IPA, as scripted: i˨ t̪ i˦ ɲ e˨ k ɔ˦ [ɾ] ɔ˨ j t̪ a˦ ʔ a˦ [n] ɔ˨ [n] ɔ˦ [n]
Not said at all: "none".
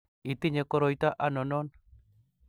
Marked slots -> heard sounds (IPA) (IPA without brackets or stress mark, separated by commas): ɾ, n, n, n